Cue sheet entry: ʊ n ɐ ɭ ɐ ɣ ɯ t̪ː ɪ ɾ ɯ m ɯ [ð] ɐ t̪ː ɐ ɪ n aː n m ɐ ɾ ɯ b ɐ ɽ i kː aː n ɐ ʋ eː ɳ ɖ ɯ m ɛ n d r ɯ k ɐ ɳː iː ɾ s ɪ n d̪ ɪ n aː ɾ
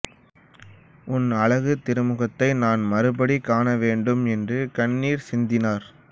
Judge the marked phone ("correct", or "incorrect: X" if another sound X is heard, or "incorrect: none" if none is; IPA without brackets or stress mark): incorrect: ɣ